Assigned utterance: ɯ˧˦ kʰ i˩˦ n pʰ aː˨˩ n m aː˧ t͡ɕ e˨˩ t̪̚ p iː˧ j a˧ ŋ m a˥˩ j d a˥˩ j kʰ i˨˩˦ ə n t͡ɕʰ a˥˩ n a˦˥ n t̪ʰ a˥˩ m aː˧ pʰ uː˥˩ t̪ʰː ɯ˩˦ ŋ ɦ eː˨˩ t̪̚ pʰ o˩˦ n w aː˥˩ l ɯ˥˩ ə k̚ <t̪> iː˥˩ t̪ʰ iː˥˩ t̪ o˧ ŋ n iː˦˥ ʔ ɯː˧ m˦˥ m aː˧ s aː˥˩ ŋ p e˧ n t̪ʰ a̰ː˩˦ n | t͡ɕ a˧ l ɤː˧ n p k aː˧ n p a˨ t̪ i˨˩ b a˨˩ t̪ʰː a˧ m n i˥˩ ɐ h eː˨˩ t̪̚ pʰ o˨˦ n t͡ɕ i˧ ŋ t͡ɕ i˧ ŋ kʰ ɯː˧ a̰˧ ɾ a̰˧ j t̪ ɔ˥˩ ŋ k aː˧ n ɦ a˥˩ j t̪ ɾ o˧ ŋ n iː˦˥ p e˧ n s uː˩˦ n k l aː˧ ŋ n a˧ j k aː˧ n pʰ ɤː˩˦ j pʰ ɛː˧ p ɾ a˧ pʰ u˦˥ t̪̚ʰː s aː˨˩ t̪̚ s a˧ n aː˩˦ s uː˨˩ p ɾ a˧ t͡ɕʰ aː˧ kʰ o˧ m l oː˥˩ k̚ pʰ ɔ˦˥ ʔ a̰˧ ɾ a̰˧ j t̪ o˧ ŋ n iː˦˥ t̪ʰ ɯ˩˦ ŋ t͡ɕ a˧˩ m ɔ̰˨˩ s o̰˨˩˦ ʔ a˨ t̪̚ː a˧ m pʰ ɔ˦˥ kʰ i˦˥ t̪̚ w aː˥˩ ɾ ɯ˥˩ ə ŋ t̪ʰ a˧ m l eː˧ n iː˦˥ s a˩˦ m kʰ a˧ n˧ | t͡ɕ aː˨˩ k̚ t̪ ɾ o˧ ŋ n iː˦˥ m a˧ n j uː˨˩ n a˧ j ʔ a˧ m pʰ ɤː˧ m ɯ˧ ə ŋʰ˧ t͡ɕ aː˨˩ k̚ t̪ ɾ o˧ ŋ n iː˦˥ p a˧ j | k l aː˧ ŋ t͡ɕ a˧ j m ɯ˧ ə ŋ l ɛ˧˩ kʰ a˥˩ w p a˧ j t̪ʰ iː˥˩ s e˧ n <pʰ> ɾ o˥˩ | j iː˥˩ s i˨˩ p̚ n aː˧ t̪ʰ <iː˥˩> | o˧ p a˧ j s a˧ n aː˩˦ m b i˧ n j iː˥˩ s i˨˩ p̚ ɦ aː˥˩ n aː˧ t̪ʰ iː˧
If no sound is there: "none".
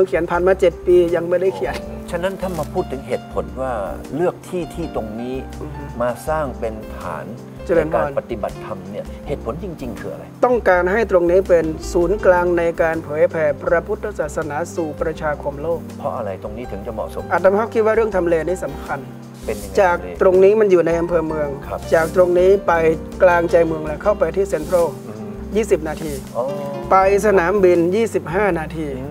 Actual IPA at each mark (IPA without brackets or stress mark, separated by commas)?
t̪ʰ, pʰ, iː˧